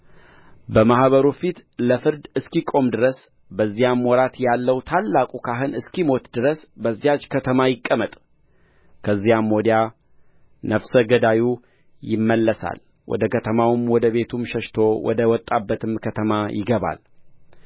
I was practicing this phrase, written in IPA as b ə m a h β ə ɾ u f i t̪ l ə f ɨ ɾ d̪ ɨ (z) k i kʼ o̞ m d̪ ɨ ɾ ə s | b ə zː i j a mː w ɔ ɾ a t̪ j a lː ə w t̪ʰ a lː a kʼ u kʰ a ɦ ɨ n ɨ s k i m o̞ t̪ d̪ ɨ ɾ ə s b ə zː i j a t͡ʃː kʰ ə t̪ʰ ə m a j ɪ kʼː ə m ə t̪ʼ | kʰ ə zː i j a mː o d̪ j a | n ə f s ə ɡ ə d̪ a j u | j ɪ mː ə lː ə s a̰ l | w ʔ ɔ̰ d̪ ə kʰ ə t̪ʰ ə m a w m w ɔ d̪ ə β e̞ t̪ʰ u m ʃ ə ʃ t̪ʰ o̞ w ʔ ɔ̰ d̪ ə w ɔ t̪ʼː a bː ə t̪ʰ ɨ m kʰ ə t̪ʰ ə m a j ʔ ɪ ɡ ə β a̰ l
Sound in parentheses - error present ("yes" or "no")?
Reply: yes